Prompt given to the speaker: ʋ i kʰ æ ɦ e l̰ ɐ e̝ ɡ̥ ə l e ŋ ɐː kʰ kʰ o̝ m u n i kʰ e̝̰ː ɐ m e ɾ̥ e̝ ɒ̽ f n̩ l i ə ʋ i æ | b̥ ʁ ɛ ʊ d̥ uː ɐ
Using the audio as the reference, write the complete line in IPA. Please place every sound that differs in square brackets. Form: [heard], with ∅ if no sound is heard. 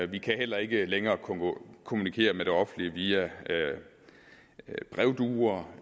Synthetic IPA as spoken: ʋ i kʰ æ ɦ e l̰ ɐ e̝ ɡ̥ ə l e ŋ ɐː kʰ kʰ o̝ m u n i kʰ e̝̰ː ɐ m e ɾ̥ e̝ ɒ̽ f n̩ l i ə ʋ i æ | b̥ ʁ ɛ ʊ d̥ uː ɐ